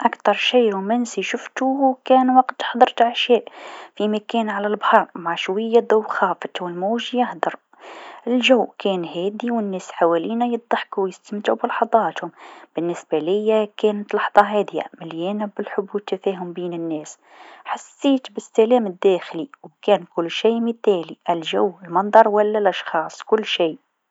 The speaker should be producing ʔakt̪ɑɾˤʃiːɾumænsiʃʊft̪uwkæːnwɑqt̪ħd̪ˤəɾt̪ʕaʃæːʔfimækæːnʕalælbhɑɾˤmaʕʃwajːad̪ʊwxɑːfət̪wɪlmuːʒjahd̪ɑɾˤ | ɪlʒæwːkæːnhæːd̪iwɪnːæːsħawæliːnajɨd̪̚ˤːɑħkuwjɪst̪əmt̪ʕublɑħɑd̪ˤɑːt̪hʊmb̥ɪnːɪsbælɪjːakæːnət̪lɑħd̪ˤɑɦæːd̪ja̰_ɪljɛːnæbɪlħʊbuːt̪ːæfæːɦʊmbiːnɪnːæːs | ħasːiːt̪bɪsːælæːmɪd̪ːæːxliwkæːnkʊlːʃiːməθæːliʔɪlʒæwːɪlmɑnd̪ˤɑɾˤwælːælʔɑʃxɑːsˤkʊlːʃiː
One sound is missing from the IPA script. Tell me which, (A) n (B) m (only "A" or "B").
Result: B